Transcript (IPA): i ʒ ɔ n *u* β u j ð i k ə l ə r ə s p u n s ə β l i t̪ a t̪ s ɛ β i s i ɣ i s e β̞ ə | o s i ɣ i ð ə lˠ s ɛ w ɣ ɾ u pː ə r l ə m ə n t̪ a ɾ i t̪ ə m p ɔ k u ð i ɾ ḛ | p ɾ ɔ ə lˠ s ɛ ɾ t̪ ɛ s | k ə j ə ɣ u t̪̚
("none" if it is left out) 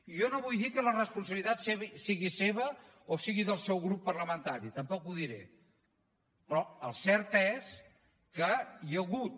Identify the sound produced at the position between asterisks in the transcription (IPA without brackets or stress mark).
o